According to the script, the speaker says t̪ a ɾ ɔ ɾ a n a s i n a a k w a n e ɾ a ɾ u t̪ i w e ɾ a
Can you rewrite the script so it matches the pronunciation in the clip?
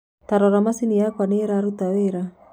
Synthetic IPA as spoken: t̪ a ɾ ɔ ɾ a m a s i n i a k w a n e ɾ a ɾ u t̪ a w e ɾ a